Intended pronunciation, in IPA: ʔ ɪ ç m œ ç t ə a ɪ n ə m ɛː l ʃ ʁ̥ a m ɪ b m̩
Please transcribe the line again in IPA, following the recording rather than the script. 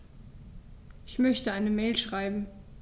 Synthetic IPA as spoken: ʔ ɪ ç m œ ç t ə a ɪ n ə m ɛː l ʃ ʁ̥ a ɪ b m̩